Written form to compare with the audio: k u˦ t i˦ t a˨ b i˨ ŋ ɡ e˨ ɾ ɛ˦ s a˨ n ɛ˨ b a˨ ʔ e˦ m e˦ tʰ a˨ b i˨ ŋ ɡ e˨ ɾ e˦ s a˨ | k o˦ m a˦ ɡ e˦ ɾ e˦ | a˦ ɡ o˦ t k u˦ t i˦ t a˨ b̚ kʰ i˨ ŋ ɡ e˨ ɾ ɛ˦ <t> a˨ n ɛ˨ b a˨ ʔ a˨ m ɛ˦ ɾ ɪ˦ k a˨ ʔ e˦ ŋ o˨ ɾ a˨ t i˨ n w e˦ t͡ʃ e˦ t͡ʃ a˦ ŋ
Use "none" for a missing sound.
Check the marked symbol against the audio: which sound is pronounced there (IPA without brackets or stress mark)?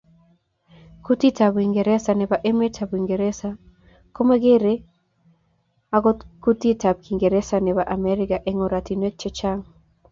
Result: s